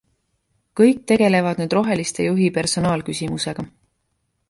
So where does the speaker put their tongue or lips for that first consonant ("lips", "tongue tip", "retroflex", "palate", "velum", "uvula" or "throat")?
velum